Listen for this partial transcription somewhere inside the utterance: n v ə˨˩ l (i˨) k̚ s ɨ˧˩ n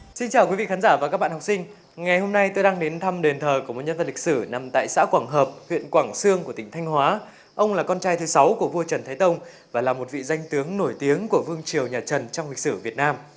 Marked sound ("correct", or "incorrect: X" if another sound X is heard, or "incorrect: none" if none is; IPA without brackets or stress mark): correct